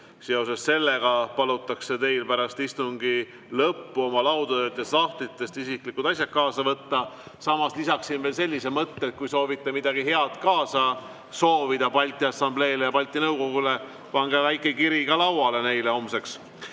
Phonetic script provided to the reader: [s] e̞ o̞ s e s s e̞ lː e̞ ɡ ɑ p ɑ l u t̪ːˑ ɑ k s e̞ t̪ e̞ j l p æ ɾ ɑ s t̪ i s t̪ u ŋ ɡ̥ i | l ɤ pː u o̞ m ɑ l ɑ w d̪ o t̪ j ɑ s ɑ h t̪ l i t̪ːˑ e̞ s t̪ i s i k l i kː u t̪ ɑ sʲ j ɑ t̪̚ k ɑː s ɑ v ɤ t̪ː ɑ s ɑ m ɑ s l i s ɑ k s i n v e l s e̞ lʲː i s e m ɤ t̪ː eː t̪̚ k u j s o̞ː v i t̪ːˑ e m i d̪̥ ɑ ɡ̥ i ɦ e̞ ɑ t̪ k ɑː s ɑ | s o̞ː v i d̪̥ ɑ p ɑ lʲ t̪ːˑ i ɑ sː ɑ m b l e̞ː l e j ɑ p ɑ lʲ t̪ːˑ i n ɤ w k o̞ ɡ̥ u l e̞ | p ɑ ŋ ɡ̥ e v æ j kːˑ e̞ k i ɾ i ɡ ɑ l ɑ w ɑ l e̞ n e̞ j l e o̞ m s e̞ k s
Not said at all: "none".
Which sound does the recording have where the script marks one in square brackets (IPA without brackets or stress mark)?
s